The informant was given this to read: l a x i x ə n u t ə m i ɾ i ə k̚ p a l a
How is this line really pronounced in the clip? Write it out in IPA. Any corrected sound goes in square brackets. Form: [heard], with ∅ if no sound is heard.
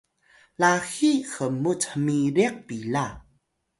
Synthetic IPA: l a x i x ə [m] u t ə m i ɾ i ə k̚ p [i] l a

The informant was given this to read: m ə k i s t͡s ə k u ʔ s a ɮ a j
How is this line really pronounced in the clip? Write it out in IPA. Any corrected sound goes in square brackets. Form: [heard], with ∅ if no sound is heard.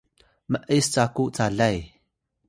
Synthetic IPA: m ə [ʔ] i s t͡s [a] k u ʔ [t͡s] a ɮ a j

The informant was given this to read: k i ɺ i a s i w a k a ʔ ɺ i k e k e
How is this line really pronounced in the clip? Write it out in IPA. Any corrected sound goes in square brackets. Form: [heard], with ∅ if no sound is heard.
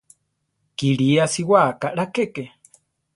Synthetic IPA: k i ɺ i a s i w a k a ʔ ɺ [a] k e k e

